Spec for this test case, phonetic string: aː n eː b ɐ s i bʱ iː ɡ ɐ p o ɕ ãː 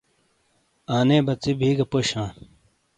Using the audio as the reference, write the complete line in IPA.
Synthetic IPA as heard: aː n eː b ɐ t͡s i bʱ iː ɡ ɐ p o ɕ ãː